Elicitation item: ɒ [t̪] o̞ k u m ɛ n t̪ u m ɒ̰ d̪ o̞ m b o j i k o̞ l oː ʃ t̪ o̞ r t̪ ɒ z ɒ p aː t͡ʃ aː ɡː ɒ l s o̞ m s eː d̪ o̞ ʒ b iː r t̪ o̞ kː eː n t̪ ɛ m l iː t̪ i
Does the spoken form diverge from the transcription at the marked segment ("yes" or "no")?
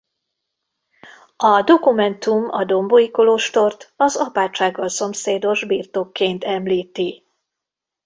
yes